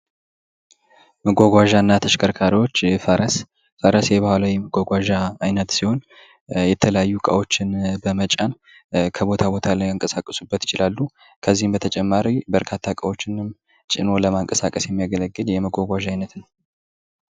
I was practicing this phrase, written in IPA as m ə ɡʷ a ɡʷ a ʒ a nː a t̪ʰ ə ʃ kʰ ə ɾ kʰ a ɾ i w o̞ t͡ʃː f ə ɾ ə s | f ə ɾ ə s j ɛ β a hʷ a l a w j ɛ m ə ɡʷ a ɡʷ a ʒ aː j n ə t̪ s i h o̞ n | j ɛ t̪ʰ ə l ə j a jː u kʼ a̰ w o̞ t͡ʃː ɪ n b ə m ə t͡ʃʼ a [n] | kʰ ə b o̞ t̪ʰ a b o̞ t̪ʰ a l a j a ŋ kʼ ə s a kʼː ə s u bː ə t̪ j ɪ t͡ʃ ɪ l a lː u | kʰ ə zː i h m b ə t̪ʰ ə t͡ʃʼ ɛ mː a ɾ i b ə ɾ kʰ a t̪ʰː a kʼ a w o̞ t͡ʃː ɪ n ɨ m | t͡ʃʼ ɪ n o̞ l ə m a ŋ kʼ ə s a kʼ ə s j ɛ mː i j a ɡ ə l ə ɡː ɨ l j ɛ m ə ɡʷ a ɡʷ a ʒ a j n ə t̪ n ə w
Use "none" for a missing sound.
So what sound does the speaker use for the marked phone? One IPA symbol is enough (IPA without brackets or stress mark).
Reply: n